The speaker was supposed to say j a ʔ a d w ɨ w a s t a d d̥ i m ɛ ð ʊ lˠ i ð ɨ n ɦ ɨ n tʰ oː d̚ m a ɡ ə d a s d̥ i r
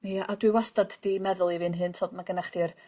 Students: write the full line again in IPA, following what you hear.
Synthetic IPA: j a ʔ a d w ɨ w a s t a d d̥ i m ɛ ð ʊ lˠ i v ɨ n ɦ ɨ n tʰ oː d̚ m a ɡ ə n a χ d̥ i r